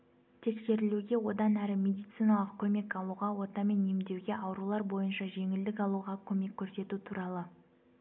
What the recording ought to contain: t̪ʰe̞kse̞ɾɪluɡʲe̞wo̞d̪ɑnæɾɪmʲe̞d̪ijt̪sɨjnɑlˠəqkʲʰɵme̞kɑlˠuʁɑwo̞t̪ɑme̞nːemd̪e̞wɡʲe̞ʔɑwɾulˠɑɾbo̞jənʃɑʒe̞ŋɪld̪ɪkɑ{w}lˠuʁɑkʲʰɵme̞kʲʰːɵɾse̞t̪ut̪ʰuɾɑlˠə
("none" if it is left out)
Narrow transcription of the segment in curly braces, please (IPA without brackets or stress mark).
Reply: none